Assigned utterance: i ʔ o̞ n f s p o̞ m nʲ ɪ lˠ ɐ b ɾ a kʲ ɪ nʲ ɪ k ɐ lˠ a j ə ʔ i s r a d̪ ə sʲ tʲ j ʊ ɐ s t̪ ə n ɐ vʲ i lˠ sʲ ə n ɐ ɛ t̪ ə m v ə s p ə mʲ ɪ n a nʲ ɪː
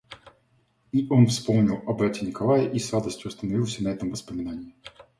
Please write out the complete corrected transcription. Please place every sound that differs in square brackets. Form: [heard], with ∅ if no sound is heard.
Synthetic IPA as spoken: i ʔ o̞ n f s p o̞ m nʲ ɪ lˠ ɐ b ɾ a [tʲ] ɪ nʲ ɪ k ɐ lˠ a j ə ʔ i s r a d̪ ə sʲ tʲ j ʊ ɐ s t̪ ə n ɐ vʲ i lˠ sʲ ə n ɐ ɛ t̪ ə m v ə s p ə mʲ ɪ n a nʲ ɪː